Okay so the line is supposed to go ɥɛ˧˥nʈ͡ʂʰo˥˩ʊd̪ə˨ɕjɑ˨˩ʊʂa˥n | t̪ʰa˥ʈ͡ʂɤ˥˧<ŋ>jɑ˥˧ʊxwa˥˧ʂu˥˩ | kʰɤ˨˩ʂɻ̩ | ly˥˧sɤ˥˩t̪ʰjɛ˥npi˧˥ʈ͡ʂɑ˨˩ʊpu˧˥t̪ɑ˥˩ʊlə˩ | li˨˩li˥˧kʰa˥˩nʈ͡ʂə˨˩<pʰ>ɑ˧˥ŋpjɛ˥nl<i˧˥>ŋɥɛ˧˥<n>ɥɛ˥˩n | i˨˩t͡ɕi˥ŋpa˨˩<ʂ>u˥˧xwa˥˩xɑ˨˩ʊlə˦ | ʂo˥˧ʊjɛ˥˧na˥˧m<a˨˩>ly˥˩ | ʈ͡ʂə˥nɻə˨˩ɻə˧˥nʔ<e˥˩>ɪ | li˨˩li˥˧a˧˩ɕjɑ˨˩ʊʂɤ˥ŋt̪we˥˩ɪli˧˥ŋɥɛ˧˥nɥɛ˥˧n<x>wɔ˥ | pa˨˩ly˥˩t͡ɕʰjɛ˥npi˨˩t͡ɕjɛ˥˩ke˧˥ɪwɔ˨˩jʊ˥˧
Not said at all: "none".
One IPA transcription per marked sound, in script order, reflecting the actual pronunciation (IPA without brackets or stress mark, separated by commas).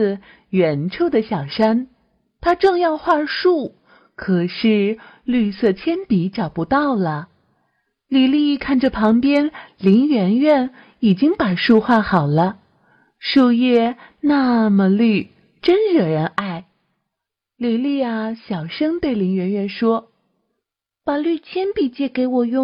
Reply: ŋ, pʰ, i˧˥, n, ʂ, ə˨˩, a˥˩, ʂ